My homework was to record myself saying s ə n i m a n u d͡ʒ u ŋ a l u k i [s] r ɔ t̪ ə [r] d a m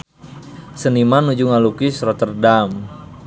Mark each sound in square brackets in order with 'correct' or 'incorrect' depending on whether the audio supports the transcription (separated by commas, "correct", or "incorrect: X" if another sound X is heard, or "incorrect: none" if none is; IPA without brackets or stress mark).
correct, correct